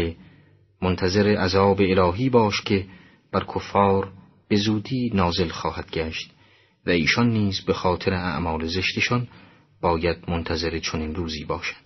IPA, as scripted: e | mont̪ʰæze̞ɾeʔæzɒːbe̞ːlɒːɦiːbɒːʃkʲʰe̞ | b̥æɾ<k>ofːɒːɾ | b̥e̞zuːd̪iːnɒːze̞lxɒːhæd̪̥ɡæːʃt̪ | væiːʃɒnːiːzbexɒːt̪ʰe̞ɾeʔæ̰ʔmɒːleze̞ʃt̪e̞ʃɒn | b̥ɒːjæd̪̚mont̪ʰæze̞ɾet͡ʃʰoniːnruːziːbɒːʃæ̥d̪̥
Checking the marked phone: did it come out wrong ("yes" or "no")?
yes